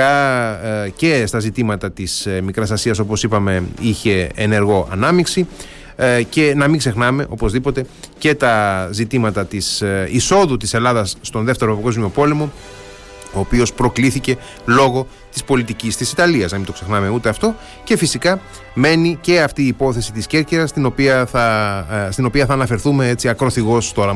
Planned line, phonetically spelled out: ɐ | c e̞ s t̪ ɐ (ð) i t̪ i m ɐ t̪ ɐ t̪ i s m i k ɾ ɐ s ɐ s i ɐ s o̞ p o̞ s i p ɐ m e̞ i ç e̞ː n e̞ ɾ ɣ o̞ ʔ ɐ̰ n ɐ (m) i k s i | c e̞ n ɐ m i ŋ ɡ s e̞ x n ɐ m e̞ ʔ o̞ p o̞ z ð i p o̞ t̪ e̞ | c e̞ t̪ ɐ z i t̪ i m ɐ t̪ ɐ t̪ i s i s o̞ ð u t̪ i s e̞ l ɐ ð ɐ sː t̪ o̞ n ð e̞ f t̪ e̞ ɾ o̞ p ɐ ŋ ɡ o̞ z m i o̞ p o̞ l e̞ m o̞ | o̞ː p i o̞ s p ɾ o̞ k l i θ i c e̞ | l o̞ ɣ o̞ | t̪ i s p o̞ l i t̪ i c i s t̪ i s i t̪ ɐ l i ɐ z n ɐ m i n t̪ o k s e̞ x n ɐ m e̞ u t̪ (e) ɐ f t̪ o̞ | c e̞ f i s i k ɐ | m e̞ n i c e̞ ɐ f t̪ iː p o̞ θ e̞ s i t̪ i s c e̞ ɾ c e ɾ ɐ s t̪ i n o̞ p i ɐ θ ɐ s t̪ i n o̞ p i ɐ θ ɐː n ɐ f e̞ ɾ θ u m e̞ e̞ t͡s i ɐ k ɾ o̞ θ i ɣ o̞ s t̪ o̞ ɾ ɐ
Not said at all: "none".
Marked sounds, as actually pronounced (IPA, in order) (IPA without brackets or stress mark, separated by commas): z, m, e